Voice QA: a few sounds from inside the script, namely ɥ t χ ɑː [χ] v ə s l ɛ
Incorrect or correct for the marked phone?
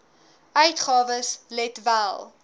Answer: incorrect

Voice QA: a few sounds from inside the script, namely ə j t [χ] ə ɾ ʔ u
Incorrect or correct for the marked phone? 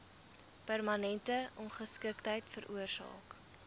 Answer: incorrect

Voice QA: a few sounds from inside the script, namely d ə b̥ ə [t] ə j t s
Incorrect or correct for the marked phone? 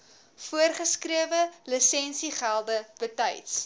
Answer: correct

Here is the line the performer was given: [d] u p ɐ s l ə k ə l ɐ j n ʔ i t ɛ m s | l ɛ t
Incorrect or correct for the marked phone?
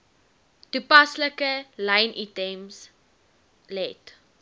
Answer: incorrect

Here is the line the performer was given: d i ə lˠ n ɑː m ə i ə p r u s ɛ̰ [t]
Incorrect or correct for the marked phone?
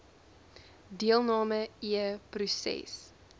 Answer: incorrect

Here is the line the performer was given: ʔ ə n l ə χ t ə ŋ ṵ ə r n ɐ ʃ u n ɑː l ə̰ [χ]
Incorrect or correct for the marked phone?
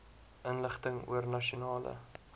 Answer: incorrect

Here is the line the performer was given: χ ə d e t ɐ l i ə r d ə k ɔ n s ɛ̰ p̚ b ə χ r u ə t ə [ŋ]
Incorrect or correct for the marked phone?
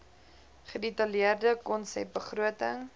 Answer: correct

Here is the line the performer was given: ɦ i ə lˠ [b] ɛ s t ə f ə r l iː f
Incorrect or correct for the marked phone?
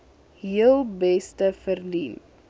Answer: correct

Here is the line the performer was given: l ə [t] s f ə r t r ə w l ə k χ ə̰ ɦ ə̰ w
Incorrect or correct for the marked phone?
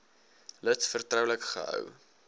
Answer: correct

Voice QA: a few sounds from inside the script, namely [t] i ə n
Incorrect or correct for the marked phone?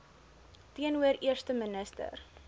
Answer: correct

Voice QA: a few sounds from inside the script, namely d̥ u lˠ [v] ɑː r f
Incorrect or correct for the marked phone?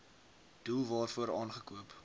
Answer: correct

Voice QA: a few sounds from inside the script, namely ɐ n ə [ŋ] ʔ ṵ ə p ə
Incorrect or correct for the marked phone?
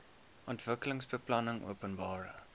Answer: correct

